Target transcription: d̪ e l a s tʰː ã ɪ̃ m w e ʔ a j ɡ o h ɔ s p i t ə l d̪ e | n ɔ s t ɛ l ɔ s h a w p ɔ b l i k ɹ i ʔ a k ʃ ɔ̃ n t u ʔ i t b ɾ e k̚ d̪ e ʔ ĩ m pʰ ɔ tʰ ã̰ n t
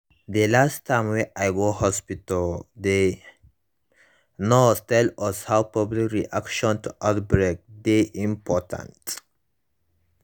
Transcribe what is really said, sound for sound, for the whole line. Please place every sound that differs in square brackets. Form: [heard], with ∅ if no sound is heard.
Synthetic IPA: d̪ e l a s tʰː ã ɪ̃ m w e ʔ a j ɡ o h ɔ s p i t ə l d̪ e | n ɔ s t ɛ l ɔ s h a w p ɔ b l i k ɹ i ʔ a k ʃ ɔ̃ n t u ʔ [a] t b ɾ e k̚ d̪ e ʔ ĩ m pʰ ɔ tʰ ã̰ n t